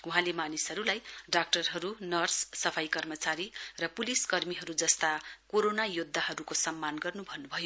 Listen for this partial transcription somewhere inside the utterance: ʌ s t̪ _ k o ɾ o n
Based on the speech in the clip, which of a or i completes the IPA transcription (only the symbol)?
a